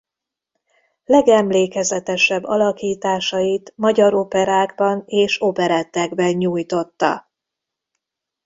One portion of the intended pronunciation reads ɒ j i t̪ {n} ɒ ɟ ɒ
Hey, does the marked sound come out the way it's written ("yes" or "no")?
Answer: no